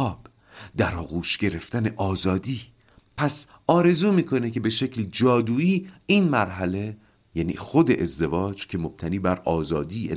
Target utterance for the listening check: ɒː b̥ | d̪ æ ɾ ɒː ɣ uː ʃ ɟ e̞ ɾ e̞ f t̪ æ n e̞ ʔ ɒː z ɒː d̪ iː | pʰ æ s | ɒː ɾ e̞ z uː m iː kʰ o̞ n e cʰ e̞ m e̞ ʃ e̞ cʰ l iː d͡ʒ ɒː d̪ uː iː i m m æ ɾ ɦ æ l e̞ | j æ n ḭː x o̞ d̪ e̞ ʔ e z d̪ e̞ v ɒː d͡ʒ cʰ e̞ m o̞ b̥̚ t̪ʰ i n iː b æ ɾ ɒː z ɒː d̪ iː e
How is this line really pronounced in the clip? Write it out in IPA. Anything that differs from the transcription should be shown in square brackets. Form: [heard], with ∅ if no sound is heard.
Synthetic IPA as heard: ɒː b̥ | d̪ æ ɾ ɒː ɣ uː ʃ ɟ e̞ ɾ e̞ f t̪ æ n e̞ ʔ ɒː z ɒː d̪ iː | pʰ æ s | ɒː ɾ e̞ z uː m iː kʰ o̞ n e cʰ e̞ [b] e̞ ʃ e̞ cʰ l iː d͡ʒ ɒː d̪ uː iː i [n] m æ ɾ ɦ æ l e̞ | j æ n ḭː x o̞ d̪ e̞ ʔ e z d̪ e̞ v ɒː d͡ʒ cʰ e̞ m o̞ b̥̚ t̪ʰ [æ] n iː b æ ɾ ɒː z ɒː d̪ iː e